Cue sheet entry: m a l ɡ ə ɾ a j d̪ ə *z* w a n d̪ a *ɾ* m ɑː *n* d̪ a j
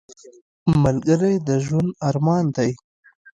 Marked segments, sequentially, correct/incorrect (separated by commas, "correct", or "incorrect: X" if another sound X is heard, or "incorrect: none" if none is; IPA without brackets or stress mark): incorrect: ʒ, correct, correct